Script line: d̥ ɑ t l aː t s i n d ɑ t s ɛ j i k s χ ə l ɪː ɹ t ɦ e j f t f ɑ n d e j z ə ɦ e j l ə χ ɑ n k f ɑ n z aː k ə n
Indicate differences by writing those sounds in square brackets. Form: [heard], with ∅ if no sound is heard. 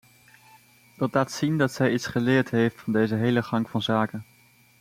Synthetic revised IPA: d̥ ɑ t l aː t s i n d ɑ t s ɛ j i [t] s χ ə l ɪː ɹ t ɦ e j f t f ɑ n d e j z ə ɦ e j l ə χ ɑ [ŋ] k f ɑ n z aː k ə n

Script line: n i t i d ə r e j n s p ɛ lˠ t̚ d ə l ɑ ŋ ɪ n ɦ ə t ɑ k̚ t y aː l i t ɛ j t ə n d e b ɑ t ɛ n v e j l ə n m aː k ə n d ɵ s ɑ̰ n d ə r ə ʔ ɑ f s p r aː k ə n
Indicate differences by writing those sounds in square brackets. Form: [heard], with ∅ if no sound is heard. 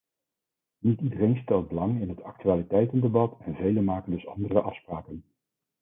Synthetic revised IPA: n i t i d ə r e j n s [t] ɛ lˠ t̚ [b] ə l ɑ ŋ ɪ n ɦ ə t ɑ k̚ t y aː l i t ɛ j t ə n d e b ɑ t ɛ n v e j l ə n m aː k ə n d ɵ s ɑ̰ n d ə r ə ʔ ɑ f s p r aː k ə n

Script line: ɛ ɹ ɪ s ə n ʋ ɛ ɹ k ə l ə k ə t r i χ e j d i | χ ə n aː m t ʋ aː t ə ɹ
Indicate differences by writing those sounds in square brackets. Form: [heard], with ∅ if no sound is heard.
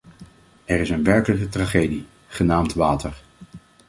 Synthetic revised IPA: ɛ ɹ ɪ s ə n ʋ ɛ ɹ k ə l ə k ə t r [a] χ e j d i | χ ə n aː m t ʋ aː t ə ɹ

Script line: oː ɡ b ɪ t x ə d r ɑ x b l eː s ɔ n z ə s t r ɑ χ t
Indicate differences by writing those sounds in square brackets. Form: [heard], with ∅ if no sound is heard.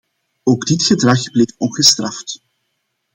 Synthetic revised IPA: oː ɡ [d] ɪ t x ə d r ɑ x b l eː [f] ɔ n [ɣ] ə s t r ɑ [f] t

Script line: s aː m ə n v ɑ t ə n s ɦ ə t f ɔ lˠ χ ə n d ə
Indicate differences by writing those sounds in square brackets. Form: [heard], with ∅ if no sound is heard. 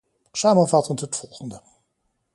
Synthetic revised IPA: s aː m ə n v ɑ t ə n [t] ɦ ə t f ɔ lˠ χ ə n d ə

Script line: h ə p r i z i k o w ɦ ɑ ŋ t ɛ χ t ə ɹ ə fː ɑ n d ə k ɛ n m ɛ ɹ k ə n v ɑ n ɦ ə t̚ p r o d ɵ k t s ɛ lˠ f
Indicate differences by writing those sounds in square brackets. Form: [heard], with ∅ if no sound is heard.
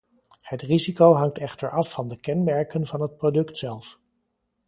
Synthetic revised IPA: h ə [t] r i z i k o w ɦ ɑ ŋ t ɛ χ t ə ɹ [ɑ] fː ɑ n d ə k ɛ n m ɛ ɹ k ə n v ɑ n ɦ ə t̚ p r o d ɵ k t s ɛ lˠ f

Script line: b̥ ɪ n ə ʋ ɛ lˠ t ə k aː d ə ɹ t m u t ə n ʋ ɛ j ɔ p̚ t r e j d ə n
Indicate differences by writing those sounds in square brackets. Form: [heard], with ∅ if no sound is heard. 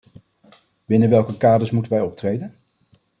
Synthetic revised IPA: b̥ ɪ n ə ʋ ɛ lˠ [k] ə k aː d ə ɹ [s] m u t ə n ʋ ɛ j ɔ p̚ t r e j d ə n

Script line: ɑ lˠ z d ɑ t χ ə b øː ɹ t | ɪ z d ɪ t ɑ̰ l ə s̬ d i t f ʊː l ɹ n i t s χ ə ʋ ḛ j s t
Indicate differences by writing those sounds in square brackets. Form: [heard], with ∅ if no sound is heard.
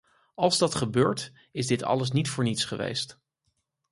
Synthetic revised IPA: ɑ lˠ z d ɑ t χ ə b øː ɹ t | ɪ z d ɪ t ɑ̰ l ə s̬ [n] i t f ʊː [∅] ɹ n i t s χ ə ʋ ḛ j s t

